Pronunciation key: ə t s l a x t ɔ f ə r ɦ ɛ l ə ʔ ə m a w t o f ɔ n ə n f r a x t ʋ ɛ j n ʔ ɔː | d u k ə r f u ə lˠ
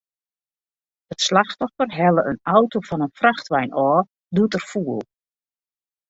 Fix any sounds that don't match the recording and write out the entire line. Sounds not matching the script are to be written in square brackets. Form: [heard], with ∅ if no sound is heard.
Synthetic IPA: ə t s l a x t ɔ f ə r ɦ ɛ l ə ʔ ə [n] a w t o f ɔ n ə n f r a x t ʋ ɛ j n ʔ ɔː | d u [t] ə r f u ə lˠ

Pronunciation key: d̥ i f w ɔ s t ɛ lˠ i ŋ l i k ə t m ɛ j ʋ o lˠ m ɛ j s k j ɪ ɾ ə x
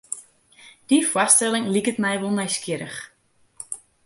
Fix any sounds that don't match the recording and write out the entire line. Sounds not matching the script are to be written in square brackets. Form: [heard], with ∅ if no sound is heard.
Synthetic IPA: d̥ i f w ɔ s t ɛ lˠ [ɪ] ŋ l i k ə t m ɛ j ʋ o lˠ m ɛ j s k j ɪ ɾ ə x

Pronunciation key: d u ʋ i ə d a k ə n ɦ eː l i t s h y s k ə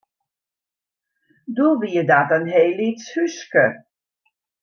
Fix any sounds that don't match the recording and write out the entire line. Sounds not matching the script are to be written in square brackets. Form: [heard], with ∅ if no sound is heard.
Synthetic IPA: d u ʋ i ə d a [t] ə n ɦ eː l i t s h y s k ə

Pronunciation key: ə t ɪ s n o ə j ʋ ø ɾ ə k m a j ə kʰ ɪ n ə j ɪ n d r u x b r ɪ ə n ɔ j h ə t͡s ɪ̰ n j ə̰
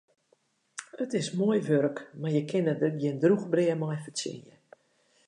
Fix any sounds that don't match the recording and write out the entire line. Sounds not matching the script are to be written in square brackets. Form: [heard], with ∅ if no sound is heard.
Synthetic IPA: ə t ɪ s [m] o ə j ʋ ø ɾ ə k m a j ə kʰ ɪ n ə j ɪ n d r u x b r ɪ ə [m] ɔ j [f] ə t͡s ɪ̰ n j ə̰

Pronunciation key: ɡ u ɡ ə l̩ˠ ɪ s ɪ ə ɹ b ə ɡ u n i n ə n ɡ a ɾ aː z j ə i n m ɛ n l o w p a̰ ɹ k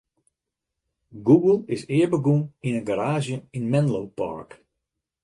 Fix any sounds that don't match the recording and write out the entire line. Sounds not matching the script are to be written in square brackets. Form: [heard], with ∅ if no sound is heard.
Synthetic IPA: ɡ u ɡ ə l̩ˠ ɪ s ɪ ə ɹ b ə ɡ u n i n ə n ɡ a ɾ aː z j ə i n m ɛ n l o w p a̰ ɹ k

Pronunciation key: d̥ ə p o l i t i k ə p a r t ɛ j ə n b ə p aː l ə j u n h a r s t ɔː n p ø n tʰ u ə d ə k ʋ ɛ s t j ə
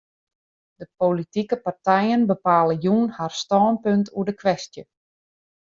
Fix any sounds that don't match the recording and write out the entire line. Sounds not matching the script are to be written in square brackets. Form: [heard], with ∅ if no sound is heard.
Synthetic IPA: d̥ ə p o l i t i k ə p a r t ɛ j ə n b ə p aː l ə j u n h a r s t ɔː n p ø n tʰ u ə d ə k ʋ ɛ s t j ə

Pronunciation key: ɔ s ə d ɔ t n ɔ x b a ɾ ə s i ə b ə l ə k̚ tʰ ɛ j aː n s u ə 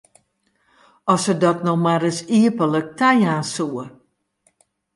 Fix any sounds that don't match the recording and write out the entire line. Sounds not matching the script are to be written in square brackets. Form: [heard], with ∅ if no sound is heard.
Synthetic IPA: ɔ s ə d ɔ t n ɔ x [m] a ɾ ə s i ə [p] ə l ə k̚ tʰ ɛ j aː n s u ə

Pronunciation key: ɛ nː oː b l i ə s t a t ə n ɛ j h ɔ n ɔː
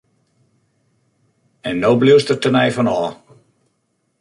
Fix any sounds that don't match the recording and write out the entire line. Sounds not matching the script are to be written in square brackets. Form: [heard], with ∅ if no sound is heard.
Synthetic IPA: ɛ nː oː b l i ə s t [ə] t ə n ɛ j [f] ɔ n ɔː

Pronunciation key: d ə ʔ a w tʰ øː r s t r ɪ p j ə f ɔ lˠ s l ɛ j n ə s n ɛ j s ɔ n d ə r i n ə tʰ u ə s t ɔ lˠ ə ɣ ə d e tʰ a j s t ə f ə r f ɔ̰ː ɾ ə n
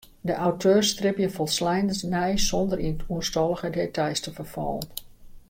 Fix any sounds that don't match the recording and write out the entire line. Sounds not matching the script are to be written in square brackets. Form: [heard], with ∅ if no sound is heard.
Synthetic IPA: d ə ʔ a w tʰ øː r s t r ɪ p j ə f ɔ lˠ s l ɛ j n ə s n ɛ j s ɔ n d ə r i n ə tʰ u ə s t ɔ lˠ ə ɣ ə d e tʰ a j s t ə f ə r f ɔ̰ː [l] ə n

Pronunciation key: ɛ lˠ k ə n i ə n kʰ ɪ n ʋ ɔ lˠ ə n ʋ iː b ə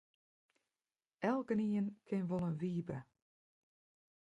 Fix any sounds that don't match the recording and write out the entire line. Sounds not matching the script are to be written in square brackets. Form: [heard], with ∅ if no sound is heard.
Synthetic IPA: ɛ lˠ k ə n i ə n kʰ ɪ n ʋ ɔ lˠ ə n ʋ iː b ə

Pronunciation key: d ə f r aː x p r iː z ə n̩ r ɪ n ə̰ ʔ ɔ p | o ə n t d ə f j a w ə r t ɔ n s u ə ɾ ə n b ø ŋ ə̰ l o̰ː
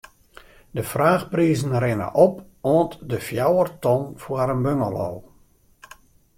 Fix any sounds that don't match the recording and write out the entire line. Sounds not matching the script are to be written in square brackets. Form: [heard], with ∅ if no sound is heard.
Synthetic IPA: d ə f r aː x p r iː z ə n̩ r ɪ n ə̰ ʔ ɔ p | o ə n t d ə f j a w ə r t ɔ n [f] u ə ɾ ə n b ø ŋ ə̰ l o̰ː

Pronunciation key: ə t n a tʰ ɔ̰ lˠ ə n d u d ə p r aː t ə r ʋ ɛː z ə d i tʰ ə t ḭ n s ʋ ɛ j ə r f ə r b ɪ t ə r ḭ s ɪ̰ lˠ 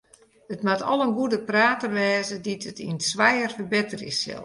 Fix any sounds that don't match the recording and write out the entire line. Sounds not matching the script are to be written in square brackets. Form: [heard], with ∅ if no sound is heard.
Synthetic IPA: ə t [m] a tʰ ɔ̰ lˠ ə n [ɡ] u d ə p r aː t ə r ʋ ɛː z ə d i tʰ ə t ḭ n s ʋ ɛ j ə r f ə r b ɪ t ə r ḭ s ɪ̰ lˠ

